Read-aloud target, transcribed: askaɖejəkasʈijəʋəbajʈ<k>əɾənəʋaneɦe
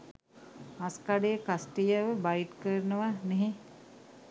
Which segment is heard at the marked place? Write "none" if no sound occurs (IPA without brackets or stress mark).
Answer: k